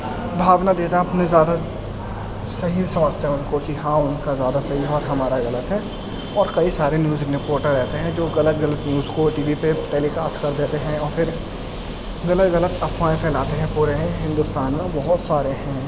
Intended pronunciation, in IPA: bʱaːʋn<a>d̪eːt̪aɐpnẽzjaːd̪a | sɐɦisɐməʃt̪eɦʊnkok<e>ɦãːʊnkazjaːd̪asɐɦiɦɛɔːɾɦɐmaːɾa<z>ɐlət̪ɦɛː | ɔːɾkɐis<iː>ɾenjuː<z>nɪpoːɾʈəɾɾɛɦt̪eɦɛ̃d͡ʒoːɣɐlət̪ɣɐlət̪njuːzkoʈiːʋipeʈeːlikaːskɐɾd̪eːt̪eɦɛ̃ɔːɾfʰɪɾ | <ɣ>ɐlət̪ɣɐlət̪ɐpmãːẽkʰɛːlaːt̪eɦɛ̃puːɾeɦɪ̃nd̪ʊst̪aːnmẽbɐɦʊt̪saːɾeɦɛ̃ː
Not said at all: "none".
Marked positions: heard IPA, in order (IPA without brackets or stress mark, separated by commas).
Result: a, i, ɣ, aː, z, ɣ